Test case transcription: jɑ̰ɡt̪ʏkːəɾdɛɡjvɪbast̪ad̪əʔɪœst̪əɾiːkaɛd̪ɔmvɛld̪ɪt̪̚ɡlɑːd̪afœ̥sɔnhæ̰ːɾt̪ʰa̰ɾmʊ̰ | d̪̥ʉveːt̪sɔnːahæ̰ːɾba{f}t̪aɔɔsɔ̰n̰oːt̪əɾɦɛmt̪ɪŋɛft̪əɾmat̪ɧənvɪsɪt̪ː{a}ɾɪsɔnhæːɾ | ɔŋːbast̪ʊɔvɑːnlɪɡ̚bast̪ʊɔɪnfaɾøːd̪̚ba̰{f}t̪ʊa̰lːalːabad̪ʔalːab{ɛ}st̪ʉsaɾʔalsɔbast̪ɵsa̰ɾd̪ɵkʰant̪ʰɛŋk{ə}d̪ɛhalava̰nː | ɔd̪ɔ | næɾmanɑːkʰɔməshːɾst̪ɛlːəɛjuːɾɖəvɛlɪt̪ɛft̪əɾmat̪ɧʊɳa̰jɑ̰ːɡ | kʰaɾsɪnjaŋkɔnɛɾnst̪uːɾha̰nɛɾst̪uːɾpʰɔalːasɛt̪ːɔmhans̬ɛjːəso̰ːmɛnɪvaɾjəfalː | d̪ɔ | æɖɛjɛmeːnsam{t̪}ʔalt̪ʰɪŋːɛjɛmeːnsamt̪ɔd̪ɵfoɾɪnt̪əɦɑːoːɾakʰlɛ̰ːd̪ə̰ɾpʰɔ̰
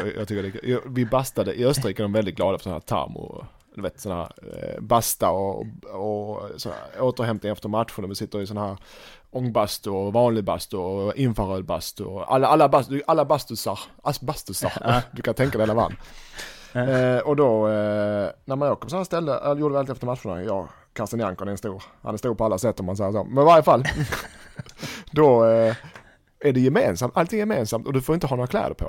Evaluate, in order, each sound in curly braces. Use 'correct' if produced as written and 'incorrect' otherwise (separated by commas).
incorrect, incorrect, incorrect, incorrect, incorrect, correct